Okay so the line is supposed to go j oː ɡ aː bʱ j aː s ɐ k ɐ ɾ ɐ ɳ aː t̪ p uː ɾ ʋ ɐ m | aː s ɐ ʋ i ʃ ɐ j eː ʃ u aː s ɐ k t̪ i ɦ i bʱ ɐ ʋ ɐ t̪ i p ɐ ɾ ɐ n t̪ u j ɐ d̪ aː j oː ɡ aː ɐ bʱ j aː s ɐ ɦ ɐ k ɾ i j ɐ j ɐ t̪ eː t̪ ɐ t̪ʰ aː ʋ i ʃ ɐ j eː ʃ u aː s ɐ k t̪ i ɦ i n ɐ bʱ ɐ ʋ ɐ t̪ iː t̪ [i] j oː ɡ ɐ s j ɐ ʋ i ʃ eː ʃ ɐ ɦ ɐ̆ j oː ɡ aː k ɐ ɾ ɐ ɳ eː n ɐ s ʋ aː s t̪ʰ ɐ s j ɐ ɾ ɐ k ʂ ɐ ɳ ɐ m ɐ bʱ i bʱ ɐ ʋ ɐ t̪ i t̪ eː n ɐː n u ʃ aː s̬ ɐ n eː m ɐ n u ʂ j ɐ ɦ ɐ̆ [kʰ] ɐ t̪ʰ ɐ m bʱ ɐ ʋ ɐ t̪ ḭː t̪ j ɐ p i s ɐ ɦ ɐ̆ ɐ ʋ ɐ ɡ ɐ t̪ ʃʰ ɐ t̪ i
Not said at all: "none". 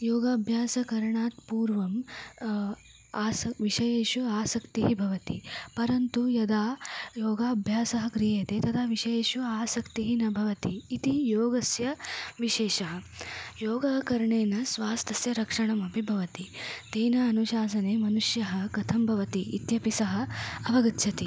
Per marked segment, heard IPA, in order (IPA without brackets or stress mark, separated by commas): i, k